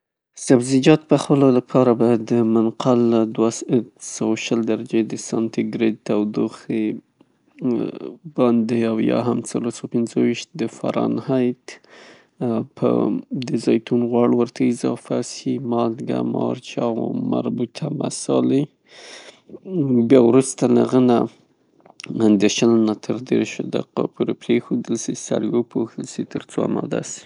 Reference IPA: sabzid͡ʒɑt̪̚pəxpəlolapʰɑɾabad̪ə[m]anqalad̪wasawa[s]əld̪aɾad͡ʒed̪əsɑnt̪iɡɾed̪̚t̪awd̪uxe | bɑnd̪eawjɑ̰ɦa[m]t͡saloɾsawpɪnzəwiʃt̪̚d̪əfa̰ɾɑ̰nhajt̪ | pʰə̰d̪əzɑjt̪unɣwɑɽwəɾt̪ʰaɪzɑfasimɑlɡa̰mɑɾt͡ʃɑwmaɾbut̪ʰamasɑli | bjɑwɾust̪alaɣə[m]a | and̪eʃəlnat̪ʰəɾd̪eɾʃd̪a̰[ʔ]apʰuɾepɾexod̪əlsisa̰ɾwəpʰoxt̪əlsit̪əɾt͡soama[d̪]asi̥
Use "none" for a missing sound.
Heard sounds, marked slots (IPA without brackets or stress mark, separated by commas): m, ʃ, m, n, q, d̪